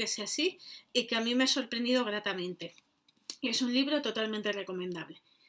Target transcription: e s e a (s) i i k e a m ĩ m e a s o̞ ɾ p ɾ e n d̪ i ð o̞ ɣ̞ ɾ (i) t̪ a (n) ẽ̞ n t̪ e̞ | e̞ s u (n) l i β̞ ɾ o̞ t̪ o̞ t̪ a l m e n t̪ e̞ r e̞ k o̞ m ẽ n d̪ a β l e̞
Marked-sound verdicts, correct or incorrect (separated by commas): correct, incorrect, incorrect, correct